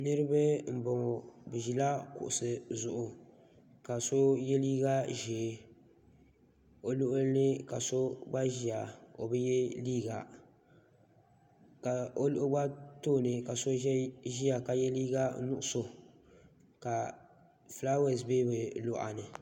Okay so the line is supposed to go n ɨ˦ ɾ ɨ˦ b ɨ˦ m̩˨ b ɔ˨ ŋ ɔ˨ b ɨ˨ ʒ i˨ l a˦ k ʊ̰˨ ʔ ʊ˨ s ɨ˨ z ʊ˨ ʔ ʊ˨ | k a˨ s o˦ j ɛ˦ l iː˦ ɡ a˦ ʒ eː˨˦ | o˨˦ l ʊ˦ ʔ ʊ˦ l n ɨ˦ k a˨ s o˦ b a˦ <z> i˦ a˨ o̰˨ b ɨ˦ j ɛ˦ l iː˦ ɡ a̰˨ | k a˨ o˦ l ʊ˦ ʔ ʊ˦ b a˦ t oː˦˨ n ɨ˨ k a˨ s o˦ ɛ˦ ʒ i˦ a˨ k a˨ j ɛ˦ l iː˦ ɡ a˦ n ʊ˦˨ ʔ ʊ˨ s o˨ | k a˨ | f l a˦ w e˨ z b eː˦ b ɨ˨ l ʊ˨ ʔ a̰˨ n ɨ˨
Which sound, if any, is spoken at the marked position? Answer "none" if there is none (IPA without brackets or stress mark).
ʒ